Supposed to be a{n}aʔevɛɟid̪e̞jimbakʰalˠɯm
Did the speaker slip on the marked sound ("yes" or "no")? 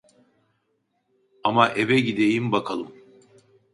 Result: yes